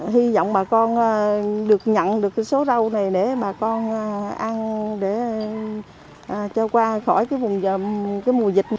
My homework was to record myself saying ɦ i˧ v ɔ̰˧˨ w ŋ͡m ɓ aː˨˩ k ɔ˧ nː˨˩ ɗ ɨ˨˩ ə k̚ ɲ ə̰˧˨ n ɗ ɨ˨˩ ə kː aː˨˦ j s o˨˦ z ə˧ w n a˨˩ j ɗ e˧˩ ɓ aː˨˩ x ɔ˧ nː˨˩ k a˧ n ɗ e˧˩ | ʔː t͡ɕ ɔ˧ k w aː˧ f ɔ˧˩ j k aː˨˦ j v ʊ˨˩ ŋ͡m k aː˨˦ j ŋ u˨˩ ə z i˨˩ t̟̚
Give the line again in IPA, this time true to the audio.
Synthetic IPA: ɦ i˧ z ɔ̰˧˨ w ŋ͡m ɓ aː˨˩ k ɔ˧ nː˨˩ ɗ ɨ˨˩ ə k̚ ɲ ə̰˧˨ n ɗ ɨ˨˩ ə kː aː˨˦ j s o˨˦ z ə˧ w n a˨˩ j ɗ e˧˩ ɓ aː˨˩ k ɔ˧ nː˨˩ ʔ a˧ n ɗ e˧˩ | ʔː t͡ɕ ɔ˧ k w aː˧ x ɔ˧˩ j k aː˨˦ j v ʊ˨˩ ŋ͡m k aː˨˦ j m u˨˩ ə z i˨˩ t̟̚